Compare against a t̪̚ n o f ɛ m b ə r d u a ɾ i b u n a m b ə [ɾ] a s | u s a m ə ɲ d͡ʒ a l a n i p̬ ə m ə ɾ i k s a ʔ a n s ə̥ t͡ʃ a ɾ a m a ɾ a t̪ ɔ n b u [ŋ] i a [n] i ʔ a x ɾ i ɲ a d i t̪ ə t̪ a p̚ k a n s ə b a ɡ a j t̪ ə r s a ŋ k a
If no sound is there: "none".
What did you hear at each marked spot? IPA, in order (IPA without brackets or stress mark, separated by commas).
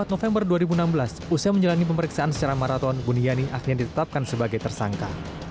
l, n, n